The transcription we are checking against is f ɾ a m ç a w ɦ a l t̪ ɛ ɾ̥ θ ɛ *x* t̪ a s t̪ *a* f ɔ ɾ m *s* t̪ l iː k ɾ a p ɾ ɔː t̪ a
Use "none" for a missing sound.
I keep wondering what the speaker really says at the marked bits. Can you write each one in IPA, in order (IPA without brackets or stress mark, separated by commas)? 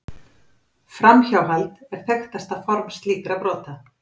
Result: x, a, s